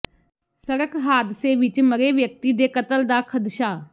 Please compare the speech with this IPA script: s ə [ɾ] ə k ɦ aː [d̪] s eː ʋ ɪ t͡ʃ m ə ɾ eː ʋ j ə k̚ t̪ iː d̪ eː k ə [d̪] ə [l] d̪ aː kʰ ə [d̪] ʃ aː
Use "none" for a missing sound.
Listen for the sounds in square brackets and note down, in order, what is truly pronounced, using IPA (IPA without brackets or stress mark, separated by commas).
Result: ɾ, d̪, t̪, l, d̪